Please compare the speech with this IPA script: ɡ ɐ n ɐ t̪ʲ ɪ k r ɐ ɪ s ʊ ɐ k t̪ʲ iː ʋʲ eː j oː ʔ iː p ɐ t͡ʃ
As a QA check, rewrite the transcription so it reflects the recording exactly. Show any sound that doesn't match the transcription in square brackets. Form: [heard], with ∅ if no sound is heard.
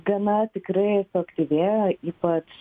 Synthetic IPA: ɡ ɐ n ɐ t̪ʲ ɪ k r ɐ ɪ s ʊ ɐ k t̪ʲ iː ʋʲ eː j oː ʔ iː p ɐ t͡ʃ